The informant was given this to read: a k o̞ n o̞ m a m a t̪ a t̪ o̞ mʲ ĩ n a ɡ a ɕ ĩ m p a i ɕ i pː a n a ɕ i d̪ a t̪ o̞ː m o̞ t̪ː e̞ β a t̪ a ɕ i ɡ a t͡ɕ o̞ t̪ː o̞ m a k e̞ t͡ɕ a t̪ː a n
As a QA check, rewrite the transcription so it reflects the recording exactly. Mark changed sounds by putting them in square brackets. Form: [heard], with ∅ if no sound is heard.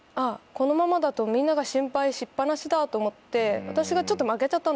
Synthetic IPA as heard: a k o̞ n o̞ m a m a [d̪] a t̪ o̞ mʲ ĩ [nː] a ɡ a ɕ ĩ m p a i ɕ i pː a n a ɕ i d̪ a t̪ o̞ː m o̞ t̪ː e̞ β a t̪ a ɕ i ɡ a t͡ɕ o̞ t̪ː o̞ m a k e̞ t͡ɕ a t̪ː a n